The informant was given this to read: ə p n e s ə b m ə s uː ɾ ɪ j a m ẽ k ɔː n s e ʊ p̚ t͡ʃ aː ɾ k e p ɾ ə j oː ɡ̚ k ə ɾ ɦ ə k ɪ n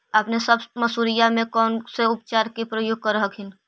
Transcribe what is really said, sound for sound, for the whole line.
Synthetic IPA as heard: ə p n e s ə b m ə s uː ɾ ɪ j a m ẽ k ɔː n s e ʊ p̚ t͡ʃ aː ɾ k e p ɾ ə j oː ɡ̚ k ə ɾ ɦ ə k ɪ n